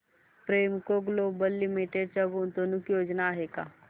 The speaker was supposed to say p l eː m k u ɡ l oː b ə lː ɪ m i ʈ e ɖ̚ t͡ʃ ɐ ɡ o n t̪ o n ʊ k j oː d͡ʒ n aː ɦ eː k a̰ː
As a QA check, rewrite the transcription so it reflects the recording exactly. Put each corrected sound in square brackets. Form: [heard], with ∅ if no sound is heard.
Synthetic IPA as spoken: p [ɾ] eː m k [o] ɡ l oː b ə lː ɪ m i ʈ e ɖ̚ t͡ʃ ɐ ɡ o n t̪ o n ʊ k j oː d͡ʒ n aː ɦ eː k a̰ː